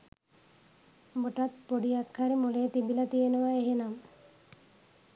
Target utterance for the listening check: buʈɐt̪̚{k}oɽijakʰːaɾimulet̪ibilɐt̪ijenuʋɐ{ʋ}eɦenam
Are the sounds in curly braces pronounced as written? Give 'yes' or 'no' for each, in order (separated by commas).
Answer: no, no